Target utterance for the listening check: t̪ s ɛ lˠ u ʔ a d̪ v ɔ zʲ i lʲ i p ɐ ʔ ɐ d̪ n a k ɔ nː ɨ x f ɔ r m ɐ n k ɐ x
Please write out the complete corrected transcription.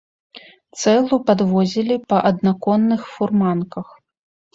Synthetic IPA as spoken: t̪ s ɛ lˠ u p a d̪ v ɔ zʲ i lʲ i p ɐ ʔ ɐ d̪ n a k ɔ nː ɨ x f u r m a n k ɐ x